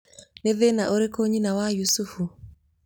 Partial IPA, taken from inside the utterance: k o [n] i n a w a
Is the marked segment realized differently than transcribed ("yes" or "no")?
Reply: yes